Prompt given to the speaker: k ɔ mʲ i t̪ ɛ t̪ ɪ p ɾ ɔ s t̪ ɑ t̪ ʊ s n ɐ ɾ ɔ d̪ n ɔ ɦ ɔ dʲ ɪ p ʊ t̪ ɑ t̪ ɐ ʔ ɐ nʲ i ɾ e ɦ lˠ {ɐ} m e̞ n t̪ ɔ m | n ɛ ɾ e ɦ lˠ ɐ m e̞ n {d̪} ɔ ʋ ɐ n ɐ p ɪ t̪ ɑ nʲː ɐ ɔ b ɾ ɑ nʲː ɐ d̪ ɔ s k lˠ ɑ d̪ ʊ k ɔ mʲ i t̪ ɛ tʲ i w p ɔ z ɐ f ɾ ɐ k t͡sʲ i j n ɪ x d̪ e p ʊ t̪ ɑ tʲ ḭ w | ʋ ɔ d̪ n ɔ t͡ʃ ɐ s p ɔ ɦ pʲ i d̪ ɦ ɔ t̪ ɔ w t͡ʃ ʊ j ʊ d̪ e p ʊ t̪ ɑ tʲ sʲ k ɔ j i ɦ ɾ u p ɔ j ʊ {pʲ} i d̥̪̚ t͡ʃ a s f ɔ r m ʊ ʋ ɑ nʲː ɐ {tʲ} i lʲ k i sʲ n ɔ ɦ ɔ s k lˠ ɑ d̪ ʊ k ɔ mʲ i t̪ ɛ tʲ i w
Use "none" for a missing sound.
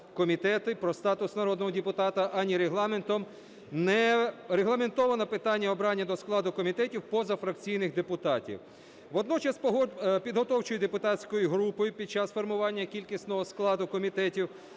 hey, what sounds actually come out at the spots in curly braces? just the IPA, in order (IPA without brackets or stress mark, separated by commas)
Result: ɑ, t̪, pʲ, kʲ